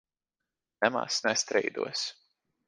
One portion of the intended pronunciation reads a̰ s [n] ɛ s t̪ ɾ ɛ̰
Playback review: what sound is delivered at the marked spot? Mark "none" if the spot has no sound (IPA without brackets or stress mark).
n